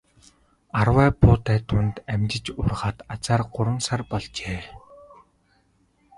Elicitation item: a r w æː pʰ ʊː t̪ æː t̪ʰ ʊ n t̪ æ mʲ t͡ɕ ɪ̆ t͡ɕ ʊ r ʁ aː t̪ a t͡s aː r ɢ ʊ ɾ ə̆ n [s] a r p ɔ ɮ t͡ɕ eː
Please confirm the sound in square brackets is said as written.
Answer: yes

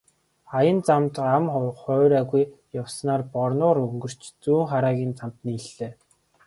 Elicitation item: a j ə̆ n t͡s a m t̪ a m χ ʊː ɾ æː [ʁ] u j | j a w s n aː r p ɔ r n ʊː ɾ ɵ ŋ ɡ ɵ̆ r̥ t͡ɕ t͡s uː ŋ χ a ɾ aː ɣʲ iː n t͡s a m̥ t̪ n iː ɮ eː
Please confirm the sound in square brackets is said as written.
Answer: no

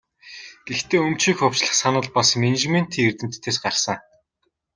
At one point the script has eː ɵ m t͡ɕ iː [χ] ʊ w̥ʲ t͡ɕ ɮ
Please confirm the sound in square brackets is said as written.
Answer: no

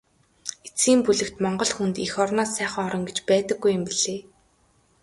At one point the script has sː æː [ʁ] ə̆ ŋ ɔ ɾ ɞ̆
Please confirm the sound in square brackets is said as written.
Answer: no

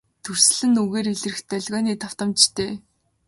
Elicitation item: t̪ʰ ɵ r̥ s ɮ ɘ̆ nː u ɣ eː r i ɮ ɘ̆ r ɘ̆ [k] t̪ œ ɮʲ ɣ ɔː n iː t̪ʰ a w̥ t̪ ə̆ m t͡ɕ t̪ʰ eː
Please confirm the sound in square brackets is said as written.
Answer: no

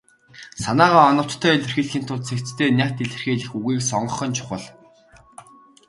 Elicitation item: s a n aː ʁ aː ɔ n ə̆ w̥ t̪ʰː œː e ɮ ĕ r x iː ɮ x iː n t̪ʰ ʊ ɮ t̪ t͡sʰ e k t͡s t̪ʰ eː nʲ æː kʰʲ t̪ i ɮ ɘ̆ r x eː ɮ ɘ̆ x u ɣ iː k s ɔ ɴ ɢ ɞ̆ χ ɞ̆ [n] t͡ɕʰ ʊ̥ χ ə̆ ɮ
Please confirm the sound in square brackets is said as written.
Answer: yes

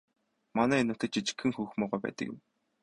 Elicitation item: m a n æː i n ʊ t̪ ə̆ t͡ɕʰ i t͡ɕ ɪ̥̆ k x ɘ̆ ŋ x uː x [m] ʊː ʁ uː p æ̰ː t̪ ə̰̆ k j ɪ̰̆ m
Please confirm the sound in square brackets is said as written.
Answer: yes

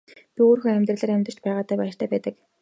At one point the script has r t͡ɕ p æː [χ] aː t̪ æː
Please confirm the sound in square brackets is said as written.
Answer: no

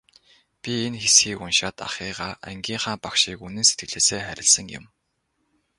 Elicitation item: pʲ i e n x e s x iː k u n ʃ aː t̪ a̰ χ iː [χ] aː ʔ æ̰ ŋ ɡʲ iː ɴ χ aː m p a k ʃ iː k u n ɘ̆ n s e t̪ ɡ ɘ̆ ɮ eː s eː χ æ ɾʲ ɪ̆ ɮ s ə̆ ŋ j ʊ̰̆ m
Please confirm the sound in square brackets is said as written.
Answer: no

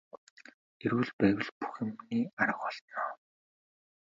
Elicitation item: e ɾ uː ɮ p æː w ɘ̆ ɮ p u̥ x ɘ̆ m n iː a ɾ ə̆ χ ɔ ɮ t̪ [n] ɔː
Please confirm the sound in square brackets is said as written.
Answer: yes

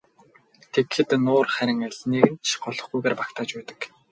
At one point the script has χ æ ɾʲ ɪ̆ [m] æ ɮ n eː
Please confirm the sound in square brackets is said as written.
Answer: no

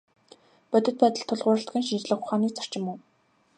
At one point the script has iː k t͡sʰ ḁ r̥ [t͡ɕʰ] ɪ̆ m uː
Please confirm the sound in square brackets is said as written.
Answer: no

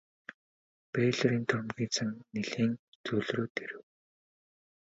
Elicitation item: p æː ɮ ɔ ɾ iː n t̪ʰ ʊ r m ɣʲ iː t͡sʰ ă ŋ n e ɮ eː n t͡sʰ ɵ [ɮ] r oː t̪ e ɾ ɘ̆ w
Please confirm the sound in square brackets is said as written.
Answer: yes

